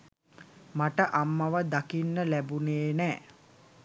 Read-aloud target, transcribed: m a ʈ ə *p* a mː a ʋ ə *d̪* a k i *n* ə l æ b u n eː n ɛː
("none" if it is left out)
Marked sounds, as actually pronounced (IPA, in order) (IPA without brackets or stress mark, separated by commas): ʔ, d̪, nː